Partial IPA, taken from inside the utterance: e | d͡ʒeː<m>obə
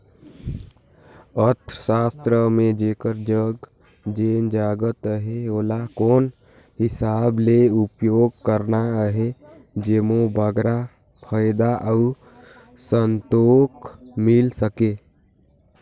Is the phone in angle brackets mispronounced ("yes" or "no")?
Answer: no